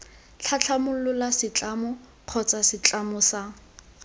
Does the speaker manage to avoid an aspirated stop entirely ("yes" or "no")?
no